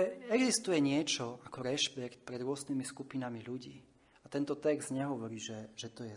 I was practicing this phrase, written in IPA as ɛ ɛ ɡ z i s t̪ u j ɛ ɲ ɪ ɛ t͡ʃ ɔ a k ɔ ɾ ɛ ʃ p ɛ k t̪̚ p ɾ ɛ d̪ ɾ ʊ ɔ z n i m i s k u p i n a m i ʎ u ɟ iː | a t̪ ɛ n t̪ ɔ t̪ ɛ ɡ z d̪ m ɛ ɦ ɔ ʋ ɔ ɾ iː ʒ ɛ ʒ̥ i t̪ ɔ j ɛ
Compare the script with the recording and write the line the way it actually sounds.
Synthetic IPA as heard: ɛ ɛ ɡ z i s t̪ u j ɛ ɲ ɪ ɛ t͡ʃ ɔ a k ɔ ɾ ɛ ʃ p ɛ k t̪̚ p ɾ ɛ d̪ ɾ ʊ ɔ z n i m i s k u p i n a m i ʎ u ɟ iː | a t̪ ɛ n t̪ ɔ t̪ ɛ ɡ z d̪ ɲ ɛ ɦ ɔ ʋ ɔ ɾ iː ʒ ɛ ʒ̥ ɛ t̪ ɔ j ɛ